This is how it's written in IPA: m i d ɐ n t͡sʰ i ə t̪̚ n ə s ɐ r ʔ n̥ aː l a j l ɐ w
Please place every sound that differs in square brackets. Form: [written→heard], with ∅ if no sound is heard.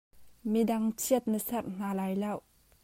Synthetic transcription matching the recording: m i d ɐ [n→ŋ] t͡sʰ i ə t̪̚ n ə s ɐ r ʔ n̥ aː l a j l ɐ w

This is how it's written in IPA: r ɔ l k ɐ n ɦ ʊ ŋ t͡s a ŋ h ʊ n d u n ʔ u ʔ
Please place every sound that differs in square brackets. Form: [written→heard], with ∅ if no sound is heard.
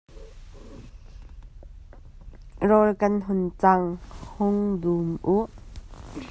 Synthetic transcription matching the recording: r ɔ l k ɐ n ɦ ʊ [ŋ→n] t͡s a ŋ h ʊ [n→ŋ] d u [n→m] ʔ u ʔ

